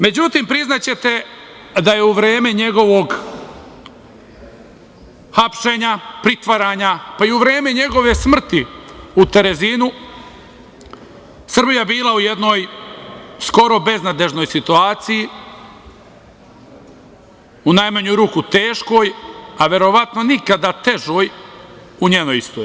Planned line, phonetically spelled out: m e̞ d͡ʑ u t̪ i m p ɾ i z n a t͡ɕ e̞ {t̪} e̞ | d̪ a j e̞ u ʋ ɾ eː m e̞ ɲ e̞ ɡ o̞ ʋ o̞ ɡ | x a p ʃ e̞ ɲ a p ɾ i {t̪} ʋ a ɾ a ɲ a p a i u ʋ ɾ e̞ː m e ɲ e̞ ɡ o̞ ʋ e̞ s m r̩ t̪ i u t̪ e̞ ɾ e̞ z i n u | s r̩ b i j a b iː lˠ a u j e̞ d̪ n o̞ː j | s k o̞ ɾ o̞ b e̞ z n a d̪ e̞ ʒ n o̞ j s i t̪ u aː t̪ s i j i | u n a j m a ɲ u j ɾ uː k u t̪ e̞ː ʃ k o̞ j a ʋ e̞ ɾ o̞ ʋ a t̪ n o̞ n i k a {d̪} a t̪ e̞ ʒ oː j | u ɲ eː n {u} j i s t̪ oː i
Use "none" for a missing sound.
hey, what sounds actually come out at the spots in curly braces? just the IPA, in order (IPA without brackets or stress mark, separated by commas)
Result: t̪, t̪, d̪, o